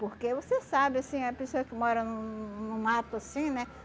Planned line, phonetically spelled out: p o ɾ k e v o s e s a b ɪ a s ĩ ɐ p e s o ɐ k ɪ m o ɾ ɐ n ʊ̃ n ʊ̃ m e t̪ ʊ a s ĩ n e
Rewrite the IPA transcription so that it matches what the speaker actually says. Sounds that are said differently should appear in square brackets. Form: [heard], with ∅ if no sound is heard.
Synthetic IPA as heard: p o ɾ k e v o s e s a b ɪ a s ĩ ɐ p e s o ɐ k ɪ m [ɔ] ɾ ɐ n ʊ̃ n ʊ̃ m [a] t̪ ʊ a s ĩ n [ɛ]